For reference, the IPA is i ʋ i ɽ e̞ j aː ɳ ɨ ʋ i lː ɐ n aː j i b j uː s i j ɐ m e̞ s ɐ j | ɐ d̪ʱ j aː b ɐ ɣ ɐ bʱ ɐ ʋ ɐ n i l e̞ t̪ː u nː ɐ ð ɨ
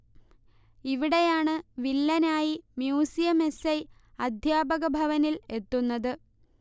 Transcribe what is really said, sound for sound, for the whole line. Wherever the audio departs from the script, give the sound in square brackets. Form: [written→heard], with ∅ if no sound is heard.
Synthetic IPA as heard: i ʋ i ɽ e̞ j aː ɳ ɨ ʋ i lː ɐ n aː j i [b→m] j uː s i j ɐ m e̞ s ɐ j | ɐ d̪ʱ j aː b ɐ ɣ ɐ bʱ ɐ ʋ ɐ n i l e̞ t̪ː u nː ɐ ð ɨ